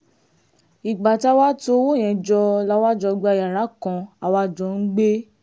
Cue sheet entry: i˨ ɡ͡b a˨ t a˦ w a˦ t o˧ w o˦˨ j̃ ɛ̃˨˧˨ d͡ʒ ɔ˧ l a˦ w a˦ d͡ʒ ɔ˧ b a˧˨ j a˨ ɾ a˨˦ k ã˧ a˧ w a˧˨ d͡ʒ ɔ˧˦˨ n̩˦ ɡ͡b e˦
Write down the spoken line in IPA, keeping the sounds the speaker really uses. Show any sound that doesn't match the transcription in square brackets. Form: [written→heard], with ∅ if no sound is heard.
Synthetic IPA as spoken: i˨ ɡ͡b a˨ t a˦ w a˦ t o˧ w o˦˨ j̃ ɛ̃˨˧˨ d͡ʒ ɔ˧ l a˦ w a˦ d͡ʒ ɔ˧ [b→ɡ͡b] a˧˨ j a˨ ɾ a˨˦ k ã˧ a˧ w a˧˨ d͡ʒ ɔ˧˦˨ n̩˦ ɡ͡b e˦